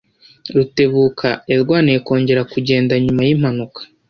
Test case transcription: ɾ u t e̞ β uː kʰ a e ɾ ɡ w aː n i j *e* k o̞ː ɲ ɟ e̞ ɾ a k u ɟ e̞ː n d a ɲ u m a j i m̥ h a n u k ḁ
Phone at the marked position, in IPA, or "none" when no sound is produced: e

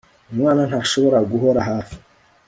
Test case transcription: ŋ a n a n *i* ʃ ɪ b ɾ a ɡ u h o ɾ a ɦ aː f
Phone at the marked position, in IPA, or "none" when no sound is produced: a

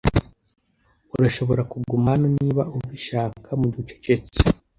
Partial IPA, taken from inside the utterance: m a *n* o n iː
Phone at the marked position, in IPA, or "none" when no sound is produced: n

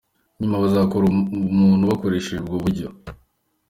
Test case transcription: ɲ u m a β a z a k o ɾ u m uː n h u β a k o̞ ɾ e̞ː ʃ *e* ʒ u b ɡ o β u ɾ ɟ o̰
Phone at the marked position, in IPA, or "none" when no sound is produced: e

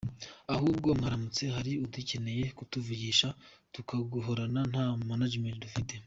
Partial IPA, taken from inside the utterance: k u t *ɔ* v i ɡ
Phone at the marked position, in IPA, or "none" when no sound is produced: u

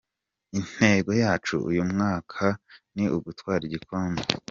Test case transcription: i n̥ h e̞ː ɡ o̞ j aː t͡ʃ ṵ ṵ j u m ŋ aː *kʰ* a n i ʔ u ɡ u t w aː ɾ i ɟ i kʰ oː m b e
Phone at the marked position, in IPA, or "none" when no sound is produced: kʰ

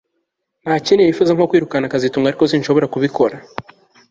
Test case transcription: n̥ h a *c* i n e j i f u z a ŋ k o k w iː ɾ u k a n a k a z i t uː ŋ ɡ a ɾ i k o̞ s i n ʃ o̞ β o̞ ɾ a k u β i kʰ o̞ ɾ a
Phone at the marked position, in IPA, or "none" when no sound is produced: c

